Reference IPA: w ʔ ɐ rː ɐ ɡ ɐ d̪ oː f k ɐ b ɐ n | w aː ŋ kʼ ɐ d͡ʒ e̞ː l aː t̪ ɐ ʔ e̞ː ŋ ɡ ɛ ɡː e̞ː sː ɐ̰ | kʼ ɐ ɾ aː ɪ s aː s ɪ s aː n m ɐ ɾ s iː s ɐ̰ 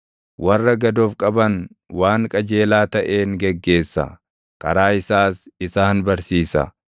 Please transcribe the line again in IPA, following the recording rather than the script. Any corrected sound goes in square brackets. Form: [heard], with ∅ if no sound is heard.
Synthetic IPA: w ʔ ɐ rː ɐ ɡ ɐ d̪ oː f [kʼ] ɐ b ɐ n | w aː ŋ kʼ ɐ d͡ʒ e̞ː l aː t̪ ɐ ʔ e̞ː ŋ ɡ ɛ ɡː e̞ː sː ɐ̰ | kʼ ɐ ɾ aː ɪ s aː s ɪ s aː n [b] ɐ ɾ s iː s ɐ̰